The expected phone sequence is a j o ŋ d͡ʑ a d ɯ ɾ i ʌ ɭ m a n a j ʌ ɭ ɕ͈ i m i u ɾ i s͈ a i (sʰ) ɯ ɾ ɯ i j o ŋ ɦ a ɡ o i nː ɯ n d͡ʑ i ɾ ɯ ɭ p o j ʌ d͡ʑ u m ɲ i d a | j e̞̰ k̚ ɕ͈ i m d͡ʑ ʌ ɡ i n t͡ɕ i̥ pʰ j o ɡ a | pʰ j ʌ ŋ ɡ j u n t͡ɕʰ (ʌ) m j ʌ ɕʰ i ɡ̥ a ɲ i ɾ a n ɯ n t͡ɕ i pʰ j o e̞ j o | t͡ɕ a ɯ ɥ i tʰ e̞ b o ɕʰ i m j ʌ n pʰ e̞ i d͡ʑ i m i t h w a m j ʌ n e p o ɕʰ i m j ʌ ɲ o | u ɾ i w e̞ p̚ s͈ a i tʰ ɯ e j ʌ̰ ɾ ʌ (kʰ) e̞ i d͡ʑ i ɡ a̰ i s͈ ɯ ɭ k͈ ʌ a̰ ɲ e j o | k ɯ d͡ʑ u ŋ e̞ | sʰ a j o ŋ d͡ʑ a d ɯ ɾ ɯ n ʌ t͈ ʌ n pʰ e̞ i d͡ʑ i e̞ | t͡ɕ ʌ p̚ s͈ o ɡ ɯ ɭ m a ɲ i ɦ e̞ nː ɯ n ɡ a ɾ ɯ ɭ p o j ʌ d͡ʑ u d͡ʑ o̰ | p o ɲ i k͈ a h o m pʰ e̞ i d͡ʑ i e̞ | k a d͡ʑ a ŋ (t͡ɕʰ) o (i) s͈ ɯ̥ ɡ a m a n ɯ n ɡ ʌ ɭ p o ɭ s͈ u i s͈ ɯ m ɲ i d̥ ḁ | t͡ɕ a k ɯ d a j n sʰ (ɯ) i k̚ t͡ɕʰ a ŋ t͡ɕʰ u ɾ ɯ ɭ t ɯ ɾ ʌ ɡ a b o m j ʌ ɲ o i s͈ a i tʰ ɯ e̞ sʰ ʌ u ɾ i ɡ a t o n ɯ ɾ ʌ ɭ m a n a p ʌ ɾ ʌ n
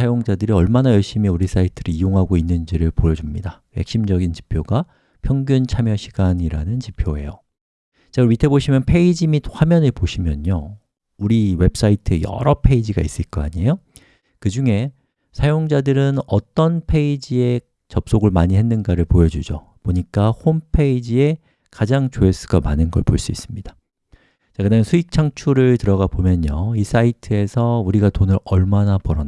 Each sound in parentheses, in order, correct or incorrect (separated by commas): incorrect, incorrect, incorrect, incorrect, incorrect, incorrect